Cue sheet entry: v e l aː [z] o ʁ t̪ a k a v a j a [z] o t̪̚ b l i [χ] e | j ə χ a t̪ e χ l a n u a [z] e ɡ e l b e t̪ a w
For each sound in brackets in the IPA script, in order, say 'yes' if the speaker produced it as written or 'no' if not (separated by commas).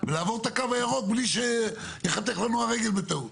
no, no, no, no